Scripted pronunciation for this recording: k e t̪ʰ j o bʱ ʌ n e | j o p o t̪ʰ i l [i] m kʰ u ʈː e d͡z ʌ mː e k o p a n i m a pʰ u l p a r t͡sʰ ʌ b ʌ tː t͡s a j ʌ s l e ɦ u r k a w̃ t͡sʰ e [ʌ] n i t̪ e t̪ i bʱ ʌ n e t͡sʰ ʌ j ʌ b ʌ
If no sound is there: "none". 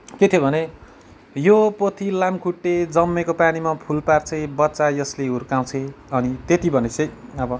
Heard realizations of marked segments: a, ʌ

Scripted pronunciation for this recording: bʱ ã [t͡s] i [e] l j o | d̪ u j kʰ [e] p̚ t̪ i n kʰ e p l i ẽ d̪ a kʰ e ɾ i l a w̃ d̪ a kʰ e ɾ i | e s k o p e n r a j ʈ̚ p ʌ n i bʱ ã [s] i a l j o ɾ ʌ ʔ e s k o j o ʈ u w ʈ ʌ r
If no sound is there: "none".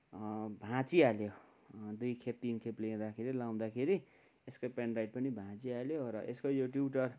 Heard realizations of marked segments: t͡s, a, e, t͡s

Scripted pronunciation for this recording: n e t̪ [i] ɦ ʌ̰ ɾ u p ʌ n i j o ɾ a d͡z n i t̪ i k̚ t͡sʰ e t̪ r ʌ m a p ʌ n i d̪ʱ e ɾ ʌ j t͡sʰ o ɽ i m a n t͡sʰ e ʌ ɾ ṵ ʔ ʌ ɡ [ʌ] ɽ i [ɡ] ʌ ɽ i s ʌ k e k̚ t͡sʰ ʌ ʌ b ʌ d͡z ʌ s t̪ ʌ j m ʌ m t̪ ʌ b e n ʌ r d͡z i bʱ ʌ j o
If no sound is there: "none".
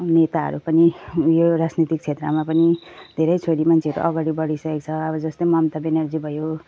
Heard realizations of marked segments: a, a, b

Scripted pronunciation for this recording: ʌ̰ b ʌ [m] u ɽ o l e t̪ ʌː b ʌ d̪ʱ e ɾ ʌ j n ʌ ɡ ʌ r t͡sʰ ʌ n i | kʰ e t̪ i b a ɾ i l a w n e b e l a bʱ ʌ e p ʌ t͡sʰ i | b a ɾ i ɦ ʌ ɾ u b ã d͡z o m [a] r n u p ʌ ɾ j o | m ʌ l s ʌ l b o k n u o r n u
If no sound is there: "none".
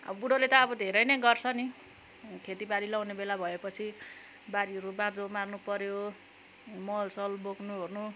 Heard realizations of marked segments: b, a

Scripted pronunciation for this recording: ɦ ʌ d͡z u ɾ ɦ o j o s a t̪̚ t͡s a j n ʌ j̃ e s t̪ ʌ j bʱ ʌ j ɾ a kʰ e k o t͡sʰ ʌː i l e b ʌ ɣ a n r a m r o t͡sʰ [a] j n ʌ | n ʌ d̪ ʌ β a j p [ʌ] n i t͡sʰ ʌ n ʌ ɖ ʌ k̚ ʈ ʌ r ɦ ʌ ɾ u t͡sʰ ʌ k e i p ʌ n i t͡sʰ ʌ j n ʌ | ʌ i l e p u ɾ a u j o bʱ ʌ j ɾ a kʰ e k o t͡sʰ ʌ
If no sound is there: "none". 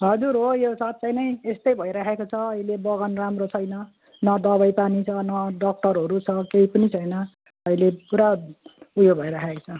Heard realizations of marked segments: ʌ, a

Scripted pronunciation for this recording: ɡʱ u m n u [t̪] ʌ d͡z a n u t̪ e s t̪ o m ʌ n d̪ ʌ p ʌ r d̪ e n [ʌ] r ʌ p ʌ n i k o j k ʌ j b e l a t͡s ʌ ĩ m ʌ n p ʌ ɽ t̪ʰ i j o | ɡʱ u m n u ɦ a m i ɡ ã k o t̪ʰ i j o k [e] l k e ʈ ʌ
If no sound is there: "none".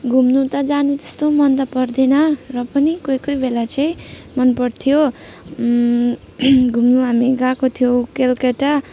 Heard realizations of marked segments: t̪, ʌ, e

